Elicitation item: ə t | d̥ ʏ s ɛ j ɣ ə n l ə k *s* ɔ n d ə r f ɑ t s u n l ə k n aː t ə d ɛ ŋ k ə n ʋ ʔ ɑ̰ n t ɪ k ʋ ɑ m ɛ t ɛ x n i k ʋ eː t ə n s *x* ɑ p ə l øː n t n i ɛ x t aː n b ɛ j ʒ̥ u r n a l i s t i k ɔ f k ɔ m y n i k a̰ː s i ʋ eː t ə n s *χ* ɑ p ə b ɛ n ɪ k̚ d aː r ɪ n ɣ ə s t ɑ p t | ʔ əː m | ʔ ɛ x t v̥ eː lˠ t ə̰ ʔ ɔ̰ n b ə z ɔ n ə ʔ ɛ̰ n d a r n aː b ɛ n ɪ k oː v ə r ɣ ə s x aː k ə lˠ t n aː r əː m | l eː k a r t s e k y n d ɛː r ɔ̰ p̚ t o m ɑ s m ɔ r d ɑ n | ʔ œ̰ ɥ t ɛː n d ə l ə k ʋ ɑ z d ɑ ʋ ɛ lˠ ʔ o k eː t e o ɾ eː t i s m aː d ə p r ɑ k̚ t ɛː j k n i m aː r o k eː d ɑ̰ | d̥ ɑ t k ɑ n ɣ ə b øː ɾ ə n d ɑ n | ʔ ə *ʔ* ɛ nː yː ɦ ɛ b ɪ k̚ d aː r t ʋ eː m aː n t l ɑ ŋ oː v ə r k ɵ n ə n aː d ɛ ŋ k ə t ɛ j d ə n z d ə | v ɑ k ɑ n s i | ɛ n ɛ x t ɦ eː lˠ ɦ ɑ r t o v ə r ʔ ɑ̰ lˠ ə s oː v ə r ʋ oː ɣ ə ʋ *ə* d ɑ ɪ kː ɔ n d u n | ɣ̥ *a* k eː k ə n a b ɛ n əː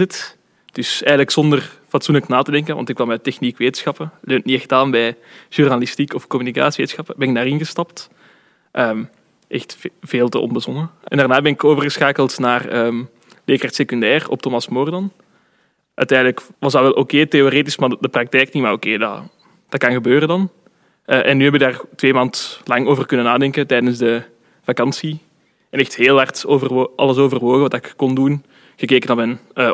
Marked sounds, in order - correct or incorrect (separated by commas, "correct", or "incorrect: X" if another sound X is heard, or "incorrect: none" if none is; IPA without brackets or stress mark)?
correct, correct, incorrect: x, correct, incorrect: ɑ, incorrect: ə